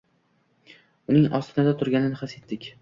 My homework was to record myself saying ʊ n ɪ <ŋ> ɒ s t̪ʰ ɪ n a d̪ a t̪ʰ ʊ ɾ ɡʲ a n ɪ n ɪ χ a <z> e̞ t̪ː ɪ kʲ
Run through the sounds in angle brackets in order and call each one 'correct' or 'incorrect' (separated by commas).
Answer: correct, incorrect